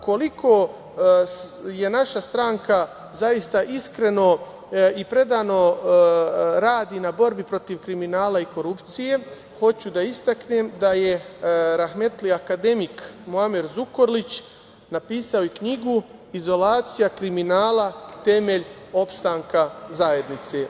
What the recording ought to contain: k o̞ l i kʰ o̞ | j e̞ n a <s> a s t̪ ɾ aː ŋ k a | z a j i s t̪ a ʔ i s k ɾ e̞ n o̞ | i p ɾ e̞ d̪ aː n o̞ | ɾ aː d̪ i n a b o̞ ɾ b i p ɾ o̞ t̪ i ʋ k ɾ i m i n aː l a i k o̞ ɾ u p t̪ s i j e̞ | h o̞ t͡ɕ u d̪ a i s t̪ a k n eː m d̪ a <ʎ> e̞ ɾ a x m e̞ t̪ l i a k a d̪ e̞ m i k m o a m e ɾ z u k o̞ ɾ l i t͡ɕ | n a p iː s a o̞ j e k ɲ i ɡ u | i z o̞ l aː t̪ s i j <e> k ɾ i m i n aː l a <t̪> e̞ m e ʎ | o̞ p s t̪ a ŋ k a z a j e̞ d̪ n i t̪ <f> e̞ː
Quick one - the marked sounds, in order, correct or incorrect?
incorrect: ʃ, incorrect: j, incorrect: a, correct, incorrect: s

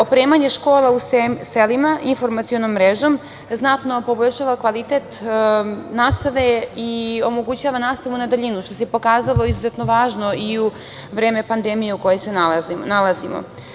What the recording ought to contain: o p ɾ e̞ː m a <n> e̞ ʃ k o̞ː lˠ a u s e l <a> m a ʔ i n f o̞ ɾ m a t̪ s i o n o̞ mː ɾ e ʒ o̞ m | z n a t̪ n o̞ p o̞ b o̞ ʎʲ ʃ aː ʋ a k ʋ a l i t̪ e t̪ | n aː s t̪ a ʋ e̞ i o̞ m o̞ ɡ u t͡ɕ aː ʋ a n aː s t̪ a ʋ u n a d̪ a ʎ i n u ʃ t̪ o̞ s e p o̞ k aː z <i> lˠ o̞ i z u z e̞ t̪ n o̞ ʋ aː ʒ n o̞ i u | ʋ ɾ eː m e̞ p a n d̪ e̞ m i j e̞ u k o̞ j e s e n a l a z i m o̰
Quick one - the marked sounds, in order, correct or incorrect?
incorrect: ɲ, incorrect: i, incorrect: a

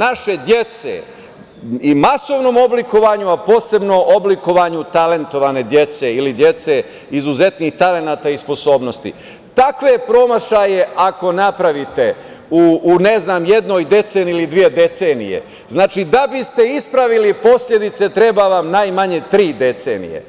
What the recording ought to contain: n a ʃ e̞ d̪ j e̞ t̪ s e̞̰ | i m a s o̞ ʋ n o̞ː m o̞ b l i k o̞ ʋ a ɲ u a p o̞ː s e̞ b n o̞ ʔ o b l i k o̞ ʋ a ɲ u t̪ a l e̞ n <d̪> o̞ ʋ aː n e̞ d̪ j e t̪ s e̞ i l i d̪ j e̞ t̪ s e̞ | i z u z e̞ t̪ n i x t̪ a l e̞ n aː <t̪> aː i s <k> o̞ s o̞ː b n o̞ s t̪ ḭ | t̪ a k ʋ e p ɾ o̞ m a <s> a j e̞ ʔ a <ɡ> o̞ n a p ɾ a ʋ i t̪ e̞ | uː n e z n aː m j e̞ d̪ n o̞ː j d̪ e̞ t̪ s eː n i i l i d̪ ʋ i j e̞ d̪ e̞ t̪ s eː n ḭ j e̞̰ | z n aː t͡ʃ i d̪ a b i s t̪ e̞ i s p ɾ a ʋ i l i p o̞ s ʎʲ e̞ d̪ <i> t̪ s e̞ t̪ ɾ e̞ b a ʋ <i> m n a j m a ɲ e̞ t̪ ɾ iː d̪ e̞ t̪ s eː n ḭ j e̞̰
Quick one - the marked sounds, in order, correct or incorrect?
incorrect: t̪, correct, incorrect: p, incorrect: ʃ, incorrect: k, correct, incorrect: a

